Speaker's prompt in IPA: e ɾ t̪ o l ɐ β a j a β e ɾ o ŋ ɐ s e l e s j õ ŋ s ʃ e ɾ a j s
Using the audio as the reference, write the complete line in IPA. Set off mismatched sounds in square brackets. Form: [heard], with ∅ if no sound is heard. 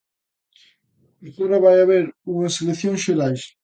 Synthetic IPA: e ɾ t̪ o [ɾ] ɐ β a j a β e ɾ [u] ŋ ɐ s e l e [θ] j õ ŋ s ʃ e ɾ a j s